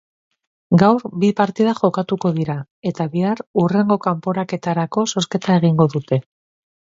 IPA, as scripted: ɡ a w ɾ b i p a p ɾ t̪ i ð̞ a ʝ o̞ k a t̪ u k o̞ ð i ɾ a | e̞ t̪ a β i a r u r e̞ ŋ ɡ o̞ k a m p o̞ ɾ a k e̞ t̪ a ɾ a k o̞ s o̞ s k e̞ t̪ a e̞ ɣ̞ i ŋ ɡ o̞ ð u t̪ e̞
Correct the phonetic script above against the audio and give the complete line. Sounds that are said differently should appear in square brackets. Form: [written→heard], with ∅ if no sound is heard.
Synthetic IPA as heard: ɡ a w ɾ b i p a [p→∅] ɾ t̪ i ð̞ a ʝ o̞ k a t̪ u k o̞ ð i ɾ a | e̞ t̪ a β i a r u r e̞ ŋ ɡ o̞ k a m p o̞ ɾ a k e̞ t̪ a ɾ a k o̞ s o̞ s k e̞ t̪ a e̞ ɣ̞ i ŋ ɡ o̞ ð u t̪ e̞